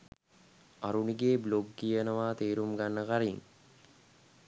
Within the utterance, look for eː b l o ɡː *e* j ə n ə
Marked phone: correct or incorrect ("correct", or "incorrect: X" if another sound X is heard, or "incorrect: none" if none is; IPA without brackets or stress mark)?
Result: incorrect: i